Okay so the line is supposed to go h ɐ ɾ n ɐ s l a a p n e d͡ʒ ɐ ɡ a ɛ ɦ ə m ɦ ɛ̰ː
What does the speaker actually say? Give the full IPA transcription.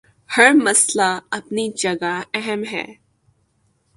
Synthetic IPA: h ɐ ɾ m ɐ s l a ɐ p n i d͡ʒ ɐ ɡ a ɛ ɦ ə m ɦ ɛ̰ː